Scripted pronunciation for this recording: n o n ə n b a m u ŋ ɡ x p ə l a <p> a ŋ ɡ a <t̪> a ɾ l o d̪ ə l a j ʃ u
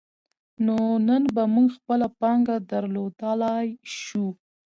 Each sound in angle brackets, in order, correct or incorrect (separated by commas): correct, incorrect